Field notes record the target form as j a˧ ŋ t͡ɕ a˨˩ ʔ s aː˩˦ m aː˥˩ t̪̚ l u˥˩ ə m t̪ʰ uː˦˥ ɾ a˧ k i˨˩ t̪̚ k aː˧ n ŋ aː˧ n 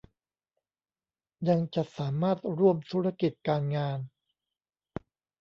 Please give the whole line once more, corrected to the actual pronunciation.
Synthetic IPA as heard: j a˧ ŋ t͡ɕ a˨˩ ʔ s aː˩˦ m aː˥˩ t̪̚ ɾ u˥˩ ə m t̪ʰ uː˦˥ ɾ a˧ k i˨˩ t̪̚ k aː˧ n ŋ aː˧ n